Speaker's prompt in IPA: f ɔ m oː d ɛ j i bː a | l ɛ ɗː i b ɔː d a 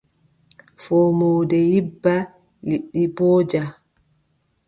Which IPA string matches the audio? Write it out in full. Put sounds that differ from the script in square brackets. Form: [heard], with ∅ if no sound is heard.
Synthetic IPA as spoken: f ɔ m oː d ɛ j i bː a | l [i] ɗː i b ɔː [d͡ʒ] a